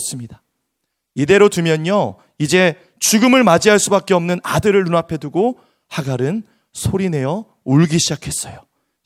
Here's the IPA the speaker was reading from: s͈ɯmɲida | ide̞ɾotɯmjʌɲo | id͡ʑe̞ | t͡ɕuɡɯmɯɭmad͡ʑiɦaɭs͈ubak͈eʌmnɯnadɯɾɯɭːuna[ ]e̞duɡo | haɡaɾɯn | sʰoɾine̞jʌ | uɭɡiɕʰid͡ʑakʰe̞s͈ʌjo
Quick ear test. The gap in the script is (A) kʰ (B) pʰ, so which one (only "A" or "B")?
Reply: B